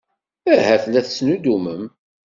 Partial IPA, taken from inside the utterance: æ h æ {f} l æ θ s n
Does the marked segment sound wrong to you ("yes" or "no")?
yes